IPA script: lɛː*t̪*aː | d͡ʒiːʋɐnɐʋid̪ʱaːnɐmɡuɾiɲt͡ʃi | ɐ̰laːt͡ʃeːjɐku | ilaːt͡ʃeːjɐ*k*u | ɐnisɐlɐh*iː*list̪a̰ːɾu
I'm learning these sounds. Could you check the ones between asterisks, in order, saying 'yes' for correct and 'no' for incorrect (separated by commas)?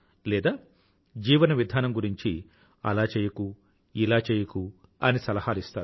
no, yes, no